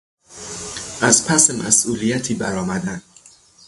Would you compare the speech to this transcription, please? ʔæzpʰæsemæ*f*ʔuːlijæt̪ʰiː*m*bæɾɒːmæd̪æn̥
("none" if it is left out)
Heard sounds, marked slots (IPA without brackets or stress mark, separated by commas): s, none